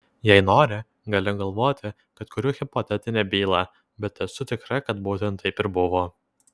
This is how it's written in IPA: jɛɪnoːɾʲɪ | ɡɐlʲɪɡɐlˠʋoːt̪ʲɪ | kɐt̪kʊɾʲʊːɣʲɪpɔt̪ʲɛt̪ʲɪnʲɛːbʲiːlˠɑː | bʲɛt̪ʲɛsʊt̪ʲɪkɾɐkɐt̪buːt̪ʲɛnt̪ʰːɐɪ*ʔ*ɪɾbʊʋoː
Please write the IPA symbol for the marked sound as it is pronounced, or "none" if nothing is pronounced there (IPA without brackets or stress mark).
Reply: p